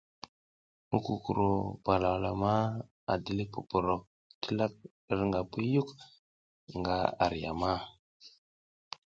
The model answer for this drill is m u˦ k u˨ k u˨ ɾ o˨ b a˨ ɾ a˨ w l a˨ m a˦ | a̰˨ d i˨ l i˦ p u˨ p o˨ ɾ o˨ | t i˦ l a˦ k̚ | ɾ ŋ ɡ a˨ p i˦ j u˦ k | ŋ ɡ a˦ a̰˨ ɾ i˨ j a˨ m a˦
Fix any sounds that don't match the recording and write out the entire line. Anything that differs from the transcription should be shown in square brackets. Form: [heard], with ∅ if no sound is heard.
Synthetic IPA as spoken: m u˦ k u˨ k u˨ ɾ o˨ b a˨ [l] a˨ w l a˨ m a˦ | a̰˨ d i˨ l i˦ p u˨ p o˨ ɾ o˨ | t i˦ l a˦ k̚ | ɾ ŋ ɡ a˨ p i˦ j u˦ k | ŋ ɡ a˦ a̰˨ ɾ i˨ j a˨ m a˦